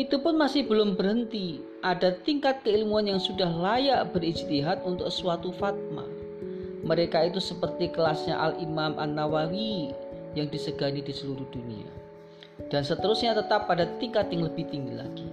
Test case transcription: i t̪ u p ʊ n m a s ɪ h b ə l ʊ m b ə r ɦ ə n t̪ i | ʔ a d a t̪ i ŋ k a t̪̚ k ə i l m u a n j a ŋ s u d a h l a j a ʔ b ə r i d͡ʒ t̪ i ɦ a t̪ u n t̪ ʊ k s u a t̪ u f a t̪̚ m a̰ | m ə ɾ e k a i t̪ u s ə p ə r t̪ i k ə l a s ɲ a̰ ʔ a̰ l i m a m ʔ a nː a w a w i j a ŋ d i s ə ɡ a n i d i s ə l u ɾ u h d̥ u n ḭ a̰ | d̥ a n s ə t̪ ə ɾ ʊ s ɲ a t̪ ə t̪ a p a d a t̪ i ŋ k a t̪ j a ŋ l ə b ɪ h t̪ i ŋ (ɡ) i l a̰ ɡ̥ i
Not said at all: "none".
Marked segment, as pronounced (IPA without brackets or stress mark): ɡ